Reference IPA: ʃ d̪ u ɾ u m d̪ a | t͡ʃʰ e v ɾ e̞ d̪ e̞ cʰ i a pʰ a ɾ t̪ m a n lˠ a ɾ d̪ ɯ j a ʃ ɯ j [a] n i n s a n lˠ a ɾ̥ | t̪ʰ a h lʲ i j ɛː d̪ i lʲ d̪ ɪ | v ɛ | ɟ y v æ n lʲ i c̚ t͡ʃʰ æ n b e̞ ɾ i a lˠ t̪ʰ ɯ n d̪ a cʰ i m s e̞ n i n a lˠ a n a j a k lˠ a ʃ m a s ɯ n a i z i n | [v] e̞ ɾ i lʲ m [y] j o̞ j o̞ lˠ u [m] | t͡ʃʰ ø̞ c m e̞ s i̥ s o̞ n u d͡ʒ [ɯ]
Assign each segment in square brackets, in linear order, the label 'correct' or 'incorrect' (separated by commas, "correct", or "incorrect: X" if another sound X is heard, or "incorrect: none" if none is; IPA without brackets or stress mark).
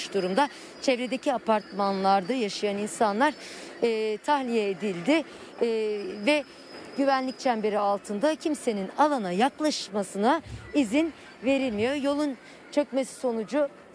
correct, correct, incorrect: i, incorrect: n, incorrect: u